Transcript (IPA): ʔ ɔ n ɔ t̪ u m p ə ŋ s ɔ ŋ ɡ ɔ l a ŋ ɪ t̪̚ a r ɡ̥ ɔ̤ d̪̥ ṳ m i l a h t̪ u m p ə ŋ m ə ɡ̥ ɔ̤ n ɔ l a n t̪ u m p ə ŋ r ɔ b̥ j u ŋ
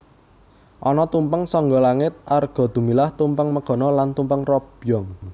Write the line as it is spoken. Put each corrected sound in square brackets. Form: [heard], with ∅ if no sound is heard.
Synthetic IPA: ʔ ɔ n ɔ t̪ u m p ə ŋ s ɔ ŋ ɡ ɔ l a ŋ ɪ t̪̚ a r ɡ̥ ɔ̤ d̪̥ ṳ m i l a h t̪ u m p ə ŋ m ə ɡ̥ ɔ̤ n ɔ l a n t̪ u m p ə ŋ r ɔ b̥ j [ɔ] ŋ